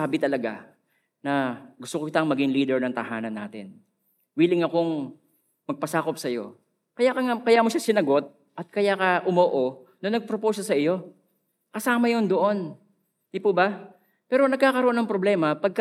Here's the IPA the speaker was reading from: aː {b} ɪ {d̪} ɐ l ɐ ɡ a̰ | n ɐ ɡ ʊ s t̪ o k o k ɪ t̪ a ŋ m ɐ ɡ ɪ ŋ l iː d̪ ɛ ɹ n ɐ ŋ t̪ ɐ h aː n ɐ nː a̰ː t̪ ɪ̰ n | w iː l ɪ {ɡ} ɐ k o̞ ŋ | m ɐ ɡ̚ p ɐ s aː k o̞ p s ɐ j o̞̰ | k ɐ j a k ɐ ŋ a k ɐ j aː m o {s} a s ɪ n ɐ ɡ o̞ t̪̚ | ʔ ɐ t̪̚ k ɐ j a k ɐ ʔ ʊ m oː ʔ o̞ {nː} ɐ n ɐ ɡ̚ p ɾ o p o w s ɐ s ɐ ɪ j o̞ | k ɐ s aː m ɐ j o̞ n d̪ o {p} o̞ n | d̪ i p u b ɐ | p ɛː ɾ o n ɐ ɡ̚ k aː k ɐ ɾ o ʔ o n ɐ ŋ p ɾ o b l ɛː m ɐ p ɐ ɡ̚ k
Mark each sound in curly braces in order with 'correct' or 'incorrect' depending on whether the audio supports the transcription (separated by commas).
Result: correct, incorrect, incorrect, incorrect, incorrect, incorrect